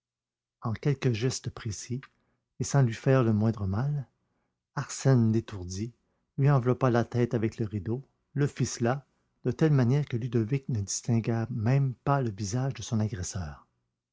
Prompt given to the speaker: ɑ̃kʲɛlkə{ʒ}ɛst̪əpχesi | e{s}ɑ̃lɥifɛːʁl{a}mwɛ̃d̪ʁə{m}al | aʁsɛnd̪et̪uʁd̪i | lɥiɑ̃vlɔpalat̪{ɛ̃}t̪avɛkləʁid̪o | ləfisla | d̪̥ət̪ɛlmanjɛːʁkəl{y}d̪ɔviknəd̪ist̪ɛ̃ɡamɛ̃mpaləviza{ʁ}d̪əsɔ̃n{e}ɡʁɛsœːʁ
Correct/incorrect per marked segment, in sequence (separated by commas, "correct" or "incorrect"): correct, correct, incorrect, correct, incorrect, correct, incorrect, incorrect